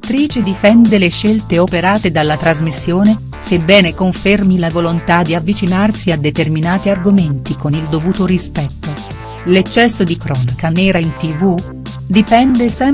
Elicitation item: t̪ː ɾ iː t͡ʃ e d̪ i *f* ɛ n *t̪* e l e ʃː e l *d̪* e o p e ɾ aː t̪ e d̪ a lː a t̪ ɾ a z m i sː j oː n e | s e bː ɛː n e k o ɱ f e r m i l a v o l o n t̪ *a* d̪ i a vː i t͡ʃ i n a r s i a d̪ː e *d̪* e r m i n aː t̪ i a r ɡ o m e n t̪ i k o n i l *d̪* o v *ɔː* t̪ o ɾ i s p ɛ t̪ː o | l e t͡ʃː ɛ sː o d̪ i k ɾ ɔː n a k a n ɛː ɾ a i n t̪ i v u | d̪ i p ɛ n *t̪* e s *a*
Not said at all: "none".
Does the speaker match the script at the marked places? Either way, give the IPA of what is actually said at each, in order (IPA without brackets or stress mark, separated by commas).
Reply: f, d̪, t̪, a, t̪, d̪, uː, d̪, ɛ